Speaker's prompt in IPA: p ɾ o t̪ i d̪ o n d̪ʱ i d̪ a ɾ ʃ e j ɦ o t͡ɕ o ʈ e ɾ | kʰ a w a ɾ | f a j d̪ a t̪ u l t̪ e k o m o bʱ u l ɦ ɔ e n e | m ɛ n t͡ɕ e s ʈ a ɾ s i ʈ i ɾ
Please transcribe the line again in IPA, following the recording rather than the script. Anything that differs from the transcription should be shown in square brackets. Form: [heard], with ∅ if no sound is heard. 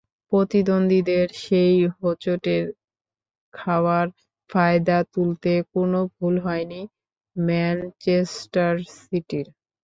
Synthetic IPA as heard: p ɾ o t̪ i d̪ o n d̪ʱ i d̪ [e] ɾ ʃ e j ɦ o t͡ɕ o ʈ e ɾ | kʰ a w a ɾ | f a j d̪ a t̪ u l t̪ e k o [n] o bʱ u l ɦ ɔ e n [i] | m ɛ n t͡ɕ e s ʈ a ɾ s i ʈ i ɾ

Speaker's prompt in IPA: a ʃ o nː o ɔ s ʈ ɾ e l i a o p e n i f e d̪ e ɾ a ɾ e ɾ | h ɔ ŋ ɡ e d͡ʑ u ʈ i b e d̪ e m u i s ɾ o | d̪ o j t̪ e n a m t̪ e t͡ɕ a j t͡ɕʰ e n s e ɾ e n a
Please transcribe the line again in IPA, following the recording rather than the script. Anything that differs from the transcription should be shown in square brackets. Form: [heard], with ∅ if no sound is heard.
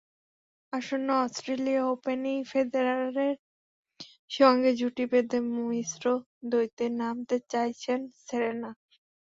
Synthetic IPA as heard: a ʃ o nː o ɔ s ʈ ɾ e l i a o p e n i f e d̪ e ɾ a ɾ e ɾ | [ʃ] ɔ ŋ ɡ e d͡ʑ u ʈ i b e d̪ e m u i s ɾ o | d̪ o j t̪ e n a m t̪ e t͡ɕ a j t͡ɕʰ e n s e ɾ e n a

